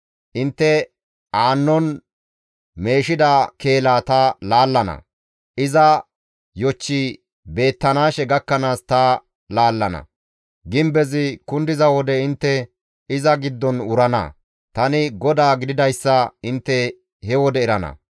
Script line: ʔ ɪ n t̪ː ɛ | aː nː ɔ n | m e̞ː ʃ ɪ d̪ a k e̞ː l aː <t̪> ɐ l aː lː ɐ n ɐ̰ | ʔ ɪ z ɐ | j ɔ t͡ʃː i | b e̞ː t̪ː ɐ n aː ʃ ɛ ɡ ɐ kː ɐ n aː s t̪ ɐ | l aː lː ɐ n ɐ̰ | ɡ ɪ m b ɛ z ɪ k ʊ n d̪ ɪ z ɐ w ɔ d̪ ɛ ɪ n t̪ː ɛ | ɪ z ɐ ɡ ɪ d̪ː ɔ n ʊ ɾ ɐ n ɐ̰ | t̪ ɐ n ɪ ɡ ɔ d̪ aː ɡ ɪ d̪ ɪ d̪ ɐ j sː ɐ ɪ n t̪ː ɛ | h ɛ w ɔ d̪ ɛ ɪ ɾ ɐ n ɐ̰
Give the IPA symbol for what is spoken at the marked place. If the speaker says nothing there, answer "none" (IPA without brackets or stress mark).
t̪